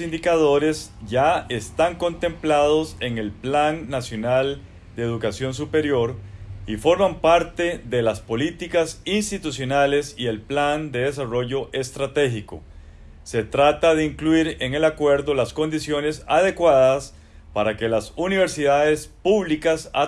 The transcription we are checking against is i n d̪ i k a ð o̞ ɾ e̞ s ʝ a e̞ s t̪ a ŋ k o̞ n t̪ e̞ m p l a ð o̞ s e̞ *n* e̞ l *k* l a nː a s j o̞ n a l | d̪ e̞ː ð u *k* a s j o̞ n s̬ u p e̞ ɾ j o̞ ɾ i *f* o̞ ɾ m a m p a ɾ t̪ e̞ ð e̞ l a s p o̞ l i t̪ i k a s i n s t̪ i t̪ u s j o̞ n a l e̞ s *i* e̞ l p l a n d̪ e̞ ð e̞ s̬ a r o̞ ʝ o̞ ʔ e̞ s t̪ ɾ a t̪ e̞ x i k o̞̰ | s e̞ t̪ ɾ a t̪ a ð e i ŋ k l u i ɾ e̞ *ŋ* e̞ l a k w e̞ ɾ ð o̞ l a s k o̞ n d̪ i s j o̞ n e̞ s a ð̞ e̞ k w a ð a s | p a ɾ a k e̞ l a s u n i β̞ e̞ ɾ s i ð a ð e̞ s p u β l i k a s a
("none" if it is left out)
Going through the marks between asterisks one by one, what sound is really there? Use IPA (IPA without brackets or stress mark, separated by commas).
ŋ, p, k, f, i, ŋ